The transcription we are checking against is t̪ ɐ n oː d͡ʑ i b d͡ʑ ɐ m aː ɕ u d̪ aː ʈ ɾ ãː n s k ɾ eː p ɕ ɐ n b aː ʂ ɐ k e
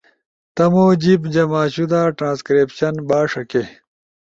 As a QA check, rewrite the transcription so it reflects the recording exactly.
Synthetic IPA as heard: t̪ ɐ m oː d͡ʑ i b d͡ʑ ɐ m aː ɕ u d̪ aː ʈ ɾ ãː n s k ɾ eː p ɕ ɐ n b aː ʂ ɐ k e